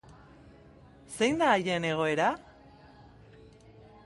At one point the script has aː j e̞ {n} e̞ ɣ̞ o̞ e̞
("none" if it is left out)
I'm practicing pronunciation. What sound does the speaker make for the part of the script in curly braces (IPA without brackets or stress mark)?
n